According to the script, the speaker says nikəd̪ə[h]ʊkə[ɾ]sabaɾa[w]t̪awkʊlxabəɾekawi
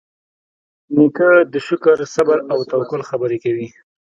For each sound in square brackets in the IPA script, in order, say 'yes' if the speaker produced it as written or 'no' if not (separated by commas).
no, yes, yes